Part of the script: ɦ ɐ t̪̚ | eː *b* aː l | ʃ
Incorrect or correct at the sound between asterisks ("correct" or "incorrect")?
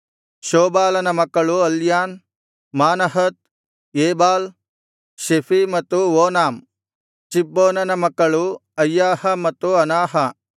correct